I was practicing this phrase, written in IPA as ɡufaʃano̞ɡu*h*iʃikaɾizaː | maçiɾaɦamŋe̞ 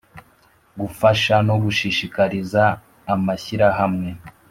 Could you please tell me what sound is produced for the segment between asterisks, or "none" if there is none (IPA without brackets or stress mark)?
ʃ